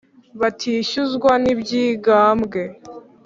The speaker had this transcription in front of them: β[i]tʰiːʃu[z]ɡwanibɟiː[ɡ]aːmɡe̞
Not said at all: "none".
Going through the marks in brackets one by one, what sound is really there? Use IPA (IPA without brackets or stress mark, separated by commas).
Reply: a, z, ɡ